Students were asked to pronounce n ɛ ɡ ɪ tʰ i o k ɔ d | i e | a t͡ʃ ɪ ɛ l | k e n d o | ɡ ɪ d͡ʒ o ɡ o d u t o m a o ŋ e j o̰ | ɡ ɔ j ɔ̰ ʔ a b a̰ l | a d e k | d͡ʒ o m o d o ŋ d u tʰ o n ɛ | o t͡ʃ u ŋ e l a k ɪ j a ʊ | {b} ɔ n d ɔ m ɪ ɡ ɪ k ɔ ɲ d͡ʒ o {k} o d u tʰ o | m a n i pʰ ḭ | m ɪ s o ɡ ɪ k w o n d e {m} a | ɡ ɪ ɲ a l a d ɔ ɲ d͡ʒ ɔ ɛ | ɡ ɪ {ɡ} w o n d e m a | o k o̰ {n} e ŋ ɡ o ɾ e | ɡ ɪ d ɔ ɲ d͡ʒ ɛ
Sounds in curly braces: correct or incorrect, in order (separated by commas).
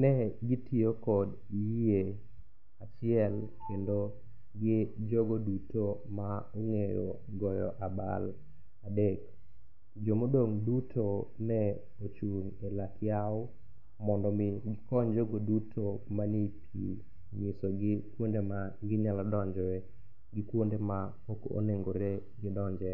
incorrect, incorrect, correct, incorrect, correct